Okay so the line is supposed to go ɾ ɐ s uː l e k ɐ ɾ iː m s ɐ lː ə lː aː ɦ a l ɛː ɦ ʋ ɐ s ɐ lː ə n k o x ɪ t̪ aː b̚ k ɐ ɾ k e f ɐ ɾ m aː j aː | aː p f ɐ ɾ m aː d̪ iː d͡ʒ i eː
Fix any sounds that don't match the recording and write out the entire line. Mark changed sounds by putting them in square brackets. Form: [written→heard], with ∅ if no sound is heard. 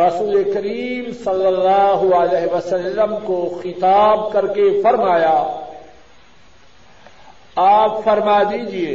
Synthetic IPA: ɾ ɐ s uː l e k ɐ ɾ iː m s ɐ lː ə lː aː ɦ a l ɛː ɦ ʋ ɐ s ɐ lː ə [n→m] k o x ɪ t̪ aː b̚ k ɐ ɾ k e f ɐ ɾ m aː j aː | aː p f ɐ ɾ m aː d̪ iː d͡ʒ i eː